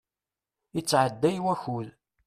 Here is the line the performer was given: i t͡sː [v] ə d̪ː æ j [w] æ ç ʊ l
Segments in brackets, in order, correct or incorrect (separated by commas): incorrect, correct